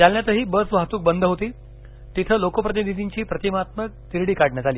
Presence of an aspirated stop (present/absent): present